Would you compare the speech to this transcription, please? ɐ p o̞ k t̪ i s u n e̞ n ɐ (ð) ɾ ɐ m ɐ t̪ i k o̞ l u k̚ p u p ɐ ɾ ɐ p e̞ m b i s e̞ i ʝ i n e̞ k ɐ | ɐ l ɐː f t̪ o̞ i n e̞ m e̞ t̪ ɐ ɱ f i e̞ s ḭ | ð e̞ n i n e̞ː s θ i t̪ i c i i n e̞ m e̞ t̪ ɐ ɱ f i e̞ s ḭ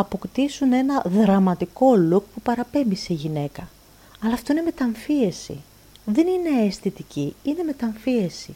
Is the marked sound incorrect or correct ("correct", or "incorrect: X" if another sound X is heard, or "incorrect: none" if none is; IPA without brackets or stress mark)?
correct